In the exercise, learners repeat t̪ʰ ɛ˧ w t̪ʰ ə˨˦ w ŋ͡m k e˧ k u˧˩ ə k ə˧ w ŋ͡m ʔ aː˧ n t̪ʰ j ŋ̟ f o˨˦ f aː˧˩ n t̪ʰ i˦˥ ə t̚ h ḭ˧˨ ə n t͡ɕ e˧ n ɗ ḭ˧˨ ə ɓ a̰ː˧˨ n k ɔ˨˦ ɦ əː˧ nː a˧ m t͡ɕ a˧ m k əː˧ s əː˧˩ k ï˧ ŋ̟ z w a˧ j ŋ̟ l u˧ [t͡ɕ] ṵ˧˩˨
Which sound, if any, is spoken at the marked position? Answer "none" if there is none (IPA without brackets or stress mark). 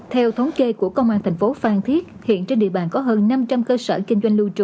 t͡ɕ